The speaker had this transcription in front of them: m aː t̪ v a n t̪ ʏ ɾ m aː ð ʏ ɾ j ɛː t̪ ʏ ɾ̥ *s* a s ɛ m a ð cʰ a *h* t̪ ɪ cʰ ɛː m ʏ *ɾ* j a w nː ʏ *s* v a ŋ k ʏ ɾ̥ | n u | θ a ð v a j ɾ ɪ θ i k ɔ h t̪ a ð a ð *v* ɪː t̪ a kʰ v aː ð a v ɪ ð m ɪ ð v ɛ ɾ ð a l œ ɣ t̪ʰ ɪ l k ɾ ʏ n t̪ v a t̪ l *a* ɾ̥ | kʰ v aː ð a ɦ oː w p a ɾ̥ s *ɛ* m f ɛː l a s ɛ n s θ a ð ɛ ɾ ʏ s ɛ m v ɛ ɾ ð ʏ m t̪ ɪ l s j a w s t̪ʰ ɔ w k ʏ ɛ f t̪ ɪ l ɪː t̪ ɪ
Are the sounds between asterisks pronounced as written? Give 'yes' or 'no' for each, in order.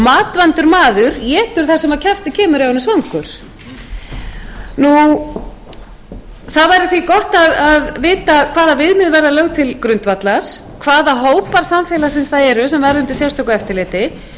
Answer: no, no, yes, yes, yes, yes, no

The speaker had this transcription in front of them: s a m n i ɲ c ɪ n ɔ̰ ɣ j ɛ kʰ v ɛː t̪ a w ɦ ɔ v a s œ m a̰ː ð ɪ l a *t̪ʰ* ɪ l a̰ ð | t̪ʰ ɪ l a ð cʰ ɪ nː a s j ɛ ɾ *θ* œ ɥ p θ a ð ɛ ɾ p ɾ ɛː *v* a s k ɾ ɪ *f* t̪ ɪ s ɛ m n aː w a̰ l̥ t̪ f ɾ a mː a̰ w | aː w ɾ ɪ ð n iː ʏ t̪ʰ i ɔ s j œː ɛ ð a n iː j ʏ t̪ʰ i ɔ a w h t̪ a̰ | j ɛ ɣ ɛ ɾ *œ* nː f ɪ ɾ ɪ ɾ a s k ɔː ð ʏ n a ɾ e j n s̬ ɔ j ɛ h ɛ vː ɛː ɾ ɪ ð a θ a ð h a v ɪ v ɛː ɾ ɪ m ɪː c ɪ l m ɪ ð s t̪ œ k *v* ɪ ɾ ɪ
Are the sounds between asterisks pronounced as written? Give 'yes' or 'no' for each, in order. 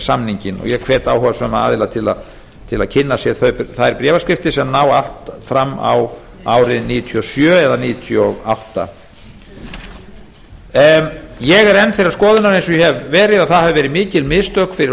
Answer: yes, yes, yes, yes, no, no

